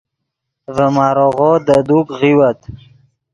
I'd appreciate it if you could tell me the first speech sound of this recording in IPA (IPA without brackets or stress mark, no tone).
v